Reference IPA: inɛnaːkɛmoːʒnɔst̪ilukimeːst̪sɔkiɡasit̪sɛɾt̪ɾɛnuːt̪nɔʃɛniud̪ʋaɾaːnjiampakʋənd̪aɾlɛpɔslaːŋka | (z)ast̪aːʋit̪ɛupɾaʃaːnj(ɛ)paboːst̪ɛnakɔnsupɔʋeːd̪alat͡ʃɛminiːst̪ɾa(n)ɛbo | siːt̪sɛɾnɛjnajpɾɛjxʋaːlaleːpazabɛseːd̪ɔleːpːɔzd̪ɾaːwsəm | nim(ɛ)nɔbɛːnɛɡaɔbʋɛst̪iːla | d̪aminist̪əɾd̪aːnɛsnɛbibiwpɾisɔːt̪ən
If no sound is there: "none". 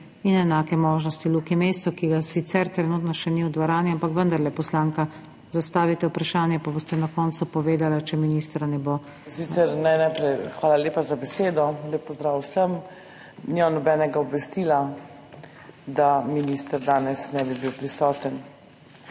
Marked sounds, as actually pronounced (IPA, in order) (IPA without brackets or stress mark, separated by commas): z, ɛ, n, a